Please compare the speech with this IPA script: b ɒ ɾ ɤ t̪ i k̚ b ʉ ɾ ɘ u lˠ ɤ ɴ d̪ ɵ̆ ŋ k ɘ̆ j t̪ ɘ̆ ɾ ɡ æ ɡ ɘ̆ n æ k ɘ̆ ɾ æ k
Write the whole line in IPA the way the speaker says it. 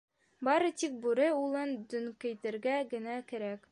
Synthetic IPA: b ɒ ɾ ɤ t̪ i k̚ b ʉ ɾ ɘ u lˠ ɤ n d̪ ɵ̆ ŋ k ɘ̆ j t̪ ɘ̆ ɾ ɡ æ ɡ ɘ̆ n æ k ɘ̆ ɾ æ k

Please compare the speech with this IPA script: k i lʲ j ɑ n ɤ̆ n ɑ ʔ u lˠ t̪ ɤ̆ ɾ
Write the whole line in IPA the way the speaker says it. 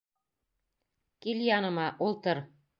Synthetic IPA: k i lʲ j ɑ n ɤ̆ m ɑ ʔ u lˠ t̪ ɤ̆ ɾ

